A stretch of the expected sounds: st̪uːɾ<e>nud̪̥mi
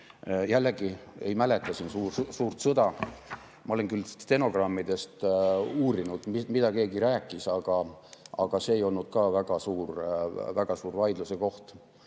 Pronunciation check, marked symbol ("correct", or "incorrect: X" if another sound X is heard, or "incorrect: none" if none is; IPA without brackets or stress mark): incorrect: i